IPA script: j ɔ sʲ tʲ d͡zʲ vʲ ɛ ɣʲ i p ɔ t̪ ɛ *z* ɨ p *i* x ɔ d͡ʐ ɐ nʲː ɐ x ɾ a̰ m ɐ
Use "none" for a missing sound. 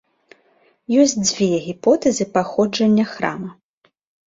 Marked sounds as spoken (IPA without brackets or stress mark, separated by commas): z, a